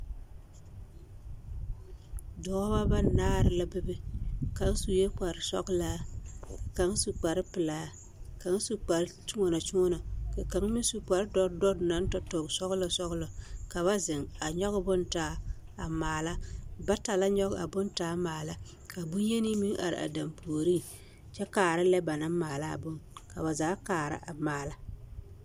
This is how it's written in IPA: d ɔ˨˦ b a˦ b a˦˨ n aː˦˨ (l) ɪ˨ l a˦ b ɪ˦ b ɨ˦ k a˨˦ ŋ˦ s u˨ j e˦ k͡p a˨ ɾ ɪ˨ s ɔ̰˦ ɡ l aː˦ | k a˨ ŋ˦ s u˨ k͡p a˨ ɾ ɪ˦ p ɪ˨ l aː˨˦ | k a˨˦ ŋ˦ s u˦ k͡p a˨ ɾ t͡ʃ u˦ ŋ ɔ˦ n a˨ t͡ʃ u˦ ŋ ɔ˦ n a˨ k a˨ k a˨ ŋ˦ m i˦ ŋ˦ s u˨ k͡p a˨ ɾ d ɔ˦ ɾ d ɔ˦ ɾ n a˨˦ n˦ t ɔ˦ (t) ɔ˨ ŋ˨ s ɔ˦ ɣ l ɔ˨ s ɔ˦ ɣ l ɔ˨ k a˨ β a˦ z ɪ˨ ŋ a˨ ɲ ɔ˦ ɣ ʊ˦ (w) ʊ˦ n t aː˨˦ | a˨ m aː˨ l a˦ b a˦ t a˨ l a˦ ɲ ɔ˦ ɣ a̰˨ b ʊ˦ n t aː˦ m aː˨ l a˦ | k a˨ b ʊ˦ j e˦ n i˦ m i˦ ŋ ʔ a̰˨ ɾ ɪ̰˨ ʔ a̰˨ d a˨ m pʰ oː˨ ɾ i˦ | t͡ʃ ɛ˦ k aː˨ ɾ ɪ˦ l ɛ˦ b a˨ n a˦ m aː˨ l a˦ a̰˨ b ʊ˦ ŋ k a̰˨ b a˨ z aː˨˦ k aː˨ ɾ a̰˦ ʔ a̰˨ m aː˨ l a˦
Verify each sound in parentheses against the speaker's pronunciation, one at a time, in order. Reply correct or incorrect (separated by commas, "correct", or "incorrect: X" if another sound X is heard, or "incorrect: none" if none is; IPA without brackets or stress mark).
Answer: incorrect: ɾ, correct, incorrect: b